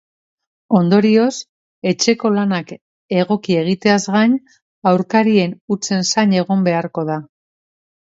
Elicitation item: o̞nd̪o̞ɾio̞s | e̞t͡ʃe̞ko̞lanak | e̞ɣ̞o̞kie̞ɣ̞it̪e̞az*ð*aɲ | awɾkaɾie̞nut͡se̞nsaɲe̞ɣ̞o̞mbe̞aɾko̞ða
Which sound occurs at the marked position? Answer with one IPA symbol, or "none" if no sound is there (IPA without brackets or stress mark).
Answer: ɣ